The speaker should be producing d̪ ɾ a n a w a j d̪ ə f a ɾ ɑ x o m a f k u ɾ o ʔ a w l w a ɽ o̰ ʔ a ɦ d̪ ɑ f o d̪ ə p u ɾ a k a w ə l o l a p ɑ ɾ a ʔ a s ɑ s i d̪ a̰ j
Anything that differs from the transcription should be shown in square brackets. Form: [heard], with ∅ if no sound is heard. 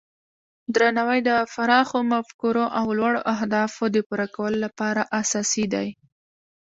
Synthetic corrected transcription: d̪ ɾ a n a w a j d̪ ə f a ɾ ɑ x o m a f k u ɾ o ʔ a w l w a ɽ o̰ ʔ a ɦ d̪ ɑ f o d̪ ə p u ɾ a k a w ə l o l a p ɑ ɾ a ʔ a s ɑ s i d̪ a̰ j